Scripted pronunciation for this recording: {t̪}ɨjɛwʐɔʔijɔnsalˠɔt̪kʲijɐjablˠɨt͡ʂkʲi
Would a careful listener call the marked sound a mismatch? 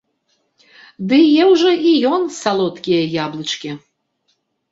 yes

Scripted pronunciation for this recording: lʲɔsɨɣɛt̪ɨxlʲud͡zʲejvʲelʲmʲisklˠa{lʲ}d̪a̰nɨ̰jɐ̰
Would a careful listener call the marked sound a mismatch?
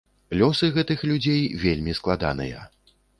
yes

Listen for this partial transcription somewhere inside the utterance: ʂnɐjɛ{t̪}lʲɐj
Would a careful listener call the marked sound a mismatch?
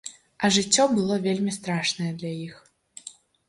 yes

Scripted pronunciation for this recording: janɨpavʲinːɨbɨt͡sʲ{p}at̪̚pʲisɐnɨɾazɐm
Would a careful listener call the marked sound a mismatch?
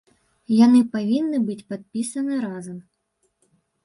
no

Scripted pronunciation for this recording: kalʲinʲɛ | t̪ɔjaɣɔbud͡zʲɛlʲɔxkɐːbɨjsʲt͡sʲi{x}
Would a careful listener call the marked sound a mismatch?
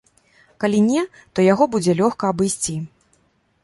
yes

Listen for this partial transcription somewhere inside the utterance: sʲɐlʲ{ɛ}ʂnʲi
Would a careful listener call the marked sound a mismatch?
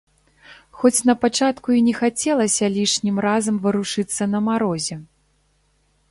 yes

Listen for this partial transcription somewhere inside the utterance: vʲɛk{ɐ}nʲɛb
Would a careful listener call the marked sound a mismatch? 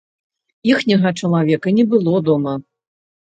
no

